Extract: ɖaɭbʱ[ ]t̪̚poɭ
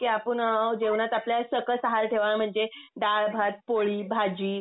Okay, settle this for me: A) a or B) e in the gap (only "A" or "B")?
A